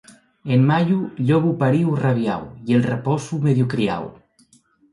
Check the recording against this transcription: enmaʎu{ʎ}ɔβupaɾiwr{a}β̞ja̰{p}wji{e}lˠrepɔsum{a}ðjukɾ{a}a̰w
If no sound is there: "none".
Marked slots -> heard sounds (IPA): ʎ, a, none, e, e, i

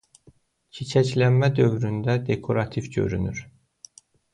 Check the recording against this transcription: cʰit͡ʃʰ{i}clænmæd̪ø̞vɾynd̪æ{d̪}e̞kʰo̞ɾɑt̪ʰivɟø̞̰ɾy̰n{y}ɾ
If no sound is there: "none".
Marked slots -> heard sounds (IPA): æ, d̪, y

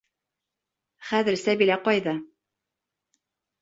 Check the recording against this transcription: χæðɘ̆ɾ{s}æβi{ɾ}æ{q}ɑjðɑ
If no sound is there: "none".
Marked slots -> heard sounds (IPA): s, l, q

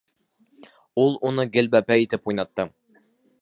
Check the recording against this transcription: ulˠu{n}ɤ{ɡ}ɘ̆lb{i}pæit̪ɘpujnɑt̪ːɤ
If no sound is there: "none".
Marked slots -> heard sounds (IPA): n, ɡ, æ

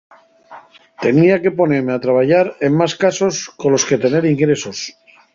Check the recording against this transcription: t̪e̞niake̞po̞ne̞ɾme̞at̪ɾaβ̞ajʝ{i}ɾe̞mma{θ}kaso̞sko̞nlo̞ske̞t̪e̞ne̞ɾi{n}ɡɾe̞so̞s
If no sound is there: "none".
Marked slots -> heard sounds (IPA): a, s, ŋ

